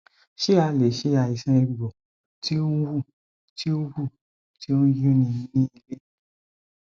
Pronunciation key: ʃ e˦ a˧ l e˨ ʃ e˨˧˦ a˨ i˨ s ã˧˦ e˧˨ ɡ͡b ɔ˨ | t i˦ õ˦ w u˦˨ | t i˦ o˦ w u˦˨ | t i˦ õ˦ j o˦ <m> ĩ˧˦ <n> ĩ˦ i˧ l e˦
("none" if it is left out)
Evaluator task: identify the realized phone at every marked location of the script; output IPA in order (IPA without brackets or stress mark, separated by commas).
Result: n, n